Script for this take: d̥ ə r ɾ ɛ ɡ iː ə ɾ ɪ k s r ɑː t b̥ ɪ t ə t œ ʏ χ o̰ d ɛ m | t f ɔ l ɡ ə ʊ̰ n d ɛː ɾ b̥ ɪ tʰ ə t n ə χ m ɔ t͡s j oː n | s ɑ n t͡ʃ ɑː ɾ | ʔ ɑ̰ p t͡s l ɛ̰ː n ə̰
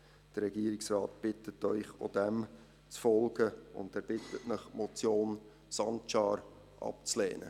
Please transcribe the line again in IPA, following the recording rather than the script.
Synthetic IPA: d̥ ə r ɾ ɛ ɡ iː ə ɾ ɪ k s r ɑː t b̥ ɪ t ə t œ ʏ χ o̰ d ɛ m | t͡s f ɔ l ɡ ə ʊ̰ n d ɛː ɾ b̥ ɪ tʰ ə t n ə χ m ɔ t͡s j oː n | s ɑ n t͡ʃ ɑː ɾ | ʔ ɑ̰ p t͡s l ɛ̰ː n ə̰